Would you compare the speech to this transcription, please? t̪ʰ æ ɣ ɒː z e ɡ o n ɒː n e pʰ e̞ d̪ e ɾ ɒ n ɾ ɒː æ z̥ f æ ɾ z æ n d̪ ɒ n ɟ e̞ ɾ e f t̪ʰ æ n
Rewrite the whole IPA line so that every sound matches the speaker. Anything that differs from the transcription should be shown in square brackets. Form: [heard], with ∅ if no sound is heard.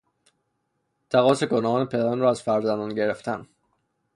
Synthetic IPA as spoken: t̪ʰ æ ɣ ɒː [s] e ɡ o n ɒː n e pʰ e̞ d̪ [æ] ɾ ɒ n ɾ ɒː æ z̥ f æ ɾ z æ n d̪ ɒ n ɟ e̞ ɾ e f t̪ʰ æ n